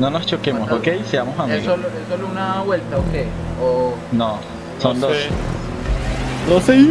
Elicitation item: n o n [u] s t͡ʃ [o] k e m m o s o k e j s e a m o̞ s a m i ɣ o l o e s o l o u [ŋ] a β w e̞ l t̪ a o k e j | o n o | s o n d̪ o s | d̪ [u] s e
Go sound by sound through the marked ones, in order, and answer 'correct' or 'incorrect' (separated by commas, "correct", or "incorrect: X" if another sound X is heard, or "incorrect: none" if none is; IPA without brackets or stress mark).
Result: incorrect: o, correct, incorrect: n, incorrect: o